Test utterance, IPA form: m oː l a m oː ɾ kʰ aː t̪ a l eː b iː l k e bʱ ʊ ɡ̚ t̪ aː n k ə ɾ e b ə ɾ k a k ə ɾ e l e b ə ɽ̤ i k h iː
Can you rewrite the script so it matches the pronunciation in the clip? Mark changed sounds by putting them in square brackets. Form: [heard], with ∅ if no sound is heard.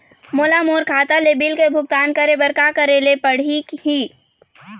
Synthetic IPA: m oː l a m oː ɾ kʰ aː t̪ a l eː b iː l k e bʱ ʊ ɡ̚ t̪ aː n k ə ɾ e b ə ɾ k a k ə ɾ e l e [p] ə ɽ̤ i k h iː